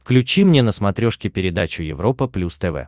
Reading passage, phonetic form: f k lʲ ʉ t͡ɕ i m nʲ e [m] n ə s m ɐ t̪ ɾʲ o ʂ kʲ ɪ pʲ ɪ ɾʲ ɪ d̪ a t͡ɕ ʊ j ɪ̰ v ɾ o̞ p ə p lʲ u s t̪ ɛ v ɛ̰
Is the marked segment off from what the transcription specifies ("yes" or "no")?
yes